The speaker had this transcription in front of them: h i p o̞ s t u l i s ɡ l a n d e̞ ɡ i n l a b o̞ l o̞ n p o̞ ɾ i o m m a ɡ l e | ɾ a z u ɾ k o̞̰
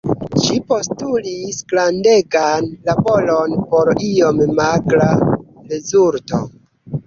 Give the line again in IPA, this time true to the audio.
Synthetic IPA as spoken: ʃ i p o̞ s t u l i s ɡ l a n d e̞ ɡ a n l a b o̞ l o̞ n p o̞ ɾ i o m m a ɡ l a | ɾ e z u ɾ t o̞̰